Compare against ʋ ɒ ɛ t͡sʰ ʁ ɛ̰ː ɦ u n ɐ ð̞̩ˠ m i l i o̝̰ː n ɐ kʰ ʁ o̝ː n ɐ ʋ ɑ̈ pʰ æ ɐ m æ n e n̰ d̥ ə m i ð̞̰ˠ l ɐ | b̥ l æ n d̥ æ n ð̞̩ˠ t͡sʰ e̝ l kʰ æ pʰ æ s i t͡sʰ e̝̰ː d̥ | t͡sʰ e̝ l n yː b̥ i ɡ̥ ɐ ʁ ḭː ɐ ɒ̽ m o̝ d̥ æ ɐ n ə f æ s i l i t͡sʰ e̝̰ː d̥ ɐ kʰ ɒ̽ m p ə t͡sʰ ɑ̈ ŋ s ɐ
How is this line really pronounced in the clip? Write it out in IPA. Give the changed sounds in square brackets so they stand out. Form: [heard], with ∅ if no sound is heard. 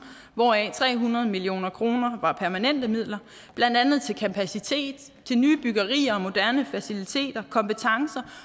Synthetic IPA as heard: ʋ ɒ ɛ t͡sʰ ʁ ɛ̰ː ɦ u n ɐ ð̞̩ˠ m i l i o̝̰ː n ɐ kʰ ʁ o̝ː n ɐ ʋ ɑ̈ pʰ æ ɐ m æ n e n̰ d̥ ə m i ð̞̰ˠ l ɐ | b̥ l æ n d̥ æ n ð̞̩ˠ t͡sʰ e̝ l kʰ æ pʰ æ s i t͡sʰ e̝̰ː d̥ | t͡sʰ e̝ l n yː b̥ [y] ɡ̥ ɐ ʁ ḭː ɐ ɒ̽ m o̝ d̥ æ ɐ n ə f æ s i l i t͡sʰ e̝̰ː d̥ ɐ kʰ ɒ̽ m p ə t͡sʰ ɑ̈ ŋ s ɐ